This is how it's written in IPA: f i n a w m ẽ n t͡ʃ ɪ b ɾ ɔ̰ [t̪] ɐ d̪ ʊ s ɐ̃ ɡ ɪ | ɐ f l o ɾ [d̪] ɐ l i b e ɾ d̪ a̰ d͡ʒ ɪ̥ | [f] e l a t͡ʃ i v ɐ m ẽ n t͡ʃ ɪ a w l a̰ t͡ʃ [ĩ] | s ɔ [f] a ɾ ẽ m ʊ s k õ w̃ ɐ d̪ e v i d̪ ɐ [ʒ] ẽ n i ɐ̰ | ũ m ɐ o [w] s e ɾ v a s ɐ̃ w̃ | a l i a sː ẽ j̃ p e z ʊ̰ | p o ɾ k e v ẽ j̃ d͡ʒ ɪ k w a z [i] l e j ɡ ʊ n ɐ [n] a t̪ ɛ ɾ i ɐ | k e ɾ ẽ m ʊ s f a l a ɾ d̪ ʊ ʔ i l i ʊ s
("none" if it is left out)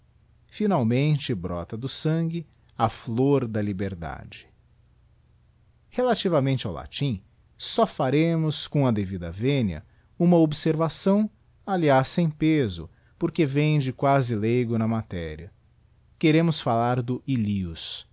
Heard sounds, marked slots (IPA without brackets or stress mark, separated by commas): t̪, d̪, h, ĩ, f, v, b, ɪ, m